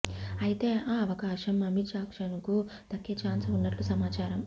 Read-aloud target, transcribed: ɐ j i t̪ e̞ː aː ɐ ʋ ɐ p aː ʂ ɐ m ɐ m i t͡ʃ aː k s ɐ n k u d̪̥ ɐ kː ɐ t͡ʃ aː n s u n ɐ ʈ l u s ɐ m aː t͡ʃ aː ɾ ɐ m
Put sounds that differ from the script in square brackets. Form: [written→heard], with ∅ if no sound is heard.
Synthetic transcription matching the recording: ɐ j i t̪ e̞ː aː ɐ ʋ ɐ [p→k] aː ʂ ɐ m ɐ m i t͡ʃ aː k [s→ʂ] ɐ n k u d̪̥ ɐ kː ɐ t͡ʃ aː n s u [n→nː] ɐ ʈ l u s ɐ m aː t͡ʃ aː ɾ ɐ m